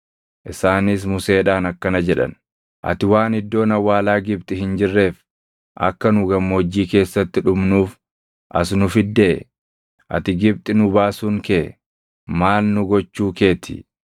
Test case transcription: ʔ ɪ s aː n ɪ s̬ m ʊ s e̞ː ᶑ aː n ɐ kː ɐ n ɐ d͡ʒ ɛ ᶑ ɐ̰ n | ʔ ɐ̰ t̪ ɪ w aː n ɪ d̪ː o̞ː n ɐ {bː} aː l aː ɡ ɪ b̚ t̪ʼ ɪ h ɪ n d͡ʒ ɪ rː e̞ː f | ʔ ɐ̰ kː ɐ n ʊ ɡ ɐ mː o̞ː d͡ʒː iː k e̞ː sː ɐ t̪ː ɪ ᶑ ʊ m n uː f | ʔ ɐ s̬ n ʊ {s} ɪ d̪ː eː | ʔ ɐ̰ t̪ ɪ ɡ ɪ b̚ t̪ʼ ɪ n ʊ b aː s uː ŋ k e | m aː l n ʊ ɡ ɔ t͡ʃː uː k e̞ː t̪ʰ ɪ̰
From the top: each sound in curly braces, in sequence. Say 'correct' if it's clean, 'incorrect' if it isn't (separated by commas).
incorrect, incorrect